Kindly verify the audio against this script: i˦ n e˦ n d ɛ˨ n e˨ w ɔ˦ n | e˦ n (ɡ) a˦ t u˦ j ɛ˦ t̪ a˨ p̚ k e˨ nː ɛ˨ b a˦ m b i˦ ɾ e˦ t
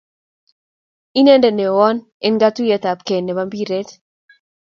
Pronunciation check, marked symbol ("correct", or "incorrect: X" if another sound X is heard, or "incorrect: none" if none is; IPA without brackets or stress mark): correct